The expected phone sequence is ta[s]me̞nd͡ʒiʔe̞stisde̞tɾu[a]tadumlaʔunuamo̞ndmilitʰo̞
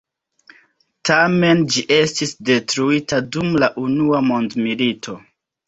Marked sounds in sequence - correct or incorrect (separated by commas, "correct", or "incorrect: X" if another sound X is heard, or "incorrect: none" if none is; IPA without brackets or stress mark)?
incorrect: none, incorrect: i